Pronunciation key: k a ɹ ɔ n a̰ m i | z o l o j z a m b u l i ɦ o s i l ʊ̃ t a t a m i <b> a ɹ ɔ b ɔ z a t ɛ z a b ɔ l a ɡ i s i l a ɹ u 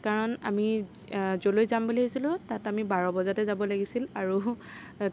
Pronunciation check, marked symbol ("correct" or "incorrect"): correct